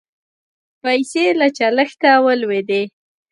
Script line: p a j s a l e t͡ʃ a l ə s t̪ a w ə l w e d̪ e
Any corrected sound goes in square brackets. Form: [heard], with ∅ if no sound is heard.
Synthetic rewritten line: p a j s [e] l [a] t͡ʃ a l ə [x] t̪ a w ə l w e d̪ e

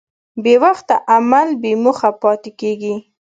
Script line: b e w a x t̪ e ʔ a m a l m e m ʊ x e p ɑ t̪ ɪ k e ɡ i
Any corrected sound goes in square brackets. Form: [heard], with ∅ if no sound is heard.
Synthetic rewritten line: b e w a x t̪ [a] ʔ a m a l [b] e m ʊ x [a] p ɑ t̪ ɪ k e ɡ i

